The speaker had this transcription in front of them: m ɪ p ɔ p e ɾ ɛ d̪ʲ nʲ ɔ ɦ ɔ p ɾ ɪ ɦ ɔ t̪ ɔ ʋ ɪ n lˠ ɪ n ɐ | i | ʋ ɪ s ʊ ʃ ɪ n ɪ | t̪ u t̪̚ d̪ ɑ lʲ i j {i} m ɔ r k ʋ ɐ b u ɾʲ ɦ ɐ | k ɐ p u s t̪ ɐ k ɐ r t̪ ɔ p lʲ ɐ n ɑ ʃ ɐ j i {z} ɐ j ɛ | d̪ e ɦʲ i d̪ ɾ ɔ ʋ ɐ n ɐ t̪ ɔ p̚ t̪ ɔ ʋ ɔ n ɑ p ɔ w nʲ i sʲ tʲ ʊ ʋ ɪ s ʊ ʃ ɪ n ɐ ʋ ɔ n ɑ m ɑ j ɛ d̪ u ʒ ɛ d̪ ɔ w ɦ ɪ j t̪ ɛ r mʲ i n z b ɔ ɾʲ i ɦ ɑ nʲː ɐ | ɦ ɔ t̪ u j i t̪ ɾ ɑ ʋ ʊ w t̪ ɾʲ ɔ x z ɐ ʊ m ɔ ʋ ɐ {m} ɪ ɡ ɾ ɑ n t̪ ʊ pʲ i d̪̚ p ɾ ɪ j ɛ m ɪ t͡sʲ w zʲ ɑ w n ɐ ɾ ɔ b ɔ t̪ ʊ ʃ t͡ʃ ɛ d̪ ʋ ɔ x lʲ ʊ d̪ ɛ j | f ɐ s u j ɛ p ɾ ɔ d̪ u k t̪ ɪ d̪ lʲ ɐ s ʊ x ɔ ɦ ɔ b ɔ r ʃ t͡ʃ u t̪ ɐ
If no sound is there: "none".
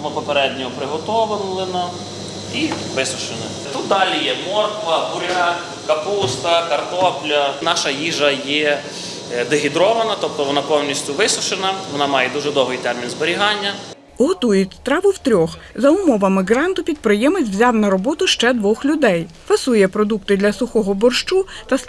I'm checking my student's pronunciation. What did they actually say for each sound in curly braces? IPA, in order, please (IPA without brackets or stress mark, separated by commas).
ɛ, ʒ, m